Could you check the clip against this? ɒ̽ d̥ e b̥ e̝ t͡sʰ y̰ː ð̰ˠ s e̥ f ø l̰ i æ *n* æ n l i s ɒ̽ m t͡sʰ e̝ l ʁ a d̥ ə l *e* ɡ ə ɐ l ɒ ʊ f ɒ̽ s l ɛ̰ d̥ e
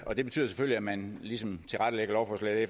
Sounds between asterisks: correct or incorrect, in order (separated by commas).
incorrect, correct